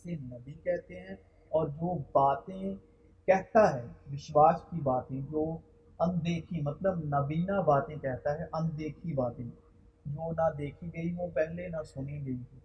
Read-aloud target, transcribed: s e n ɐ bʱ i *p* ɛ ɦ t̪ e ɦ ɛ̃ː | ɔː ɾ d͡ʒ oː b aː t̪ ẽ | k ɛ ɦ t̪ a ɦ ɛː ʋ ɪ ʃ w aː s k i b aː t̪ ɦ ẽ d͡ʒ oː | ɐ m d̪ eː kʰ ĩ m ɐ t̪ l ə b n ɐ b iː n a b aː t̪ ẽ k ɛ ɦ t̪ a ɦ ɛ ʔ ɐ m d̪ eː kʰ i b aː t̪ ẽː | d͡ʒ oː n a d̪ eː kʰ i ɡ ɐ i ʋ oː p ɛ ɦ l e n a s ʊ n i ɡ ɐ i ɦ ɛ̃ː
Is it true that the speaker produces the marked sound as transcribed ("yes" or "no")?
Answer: no